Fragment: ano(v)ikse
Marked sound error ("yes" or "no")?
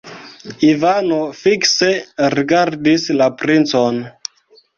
yes